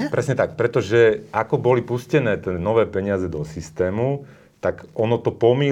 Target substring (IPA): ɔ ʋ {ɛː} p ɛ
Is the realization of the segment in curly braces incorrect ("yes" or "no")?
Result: no